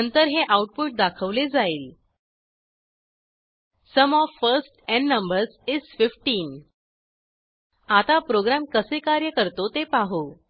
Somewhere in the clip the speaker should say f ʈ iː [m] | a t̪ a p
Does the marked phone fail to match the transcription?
yes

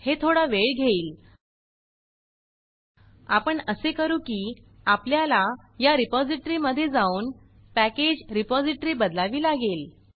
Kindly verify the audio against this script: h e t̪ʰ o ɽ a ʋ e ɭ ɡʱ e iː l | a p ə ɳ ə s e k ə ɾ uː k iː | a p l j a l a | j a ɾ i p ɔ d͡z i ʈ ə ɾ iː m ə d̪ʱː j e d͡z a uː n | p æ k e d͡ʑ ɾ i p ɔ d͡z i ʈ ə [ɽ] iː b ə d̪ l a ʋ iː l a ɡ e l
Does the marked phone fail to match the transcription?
yes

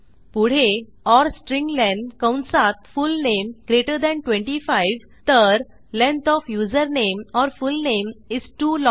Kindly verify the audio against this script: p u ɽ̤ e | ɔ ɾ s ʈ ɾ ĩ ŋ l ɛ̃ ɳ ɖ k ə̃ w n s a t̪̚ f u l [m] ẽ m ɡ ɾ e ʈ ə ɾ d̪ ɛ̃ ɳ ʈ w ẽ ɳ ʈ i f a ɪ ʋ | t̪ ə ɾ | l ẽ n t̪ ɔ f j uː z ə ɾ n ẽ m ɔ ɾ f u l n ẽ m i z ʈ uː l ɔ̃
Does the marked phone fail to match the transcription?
yes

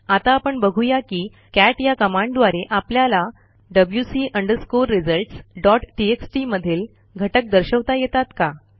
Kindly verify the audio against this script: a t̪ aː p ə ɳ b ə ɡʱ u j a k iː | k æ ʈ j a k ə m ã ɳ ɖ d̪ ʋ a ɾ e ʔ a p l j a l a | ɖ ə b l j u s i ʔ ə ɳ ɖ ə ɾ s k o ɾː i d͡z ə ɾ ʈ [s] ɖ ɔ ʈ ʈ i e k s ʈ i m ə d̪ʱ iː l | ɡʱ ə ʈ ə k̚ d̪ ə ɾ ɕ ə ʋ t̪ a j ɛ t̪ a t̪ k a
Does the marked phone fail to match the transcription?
no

